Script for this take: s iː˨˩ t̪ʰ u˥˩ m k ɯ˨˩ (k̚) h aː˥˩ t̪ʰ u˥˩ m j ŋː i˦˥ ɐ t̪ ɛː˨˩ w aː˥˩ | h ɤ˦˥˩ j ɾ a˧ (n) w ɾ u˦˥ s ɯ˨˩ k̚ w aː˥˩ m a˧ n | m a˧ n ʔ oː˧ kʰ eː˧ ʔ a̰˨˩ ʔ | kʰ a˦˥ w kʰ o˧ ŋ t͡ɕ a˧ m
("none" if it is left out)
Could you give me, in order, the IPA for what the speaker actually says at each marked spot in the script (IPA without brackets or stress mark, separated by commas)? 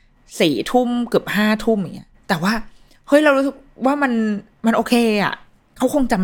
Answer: p̚, none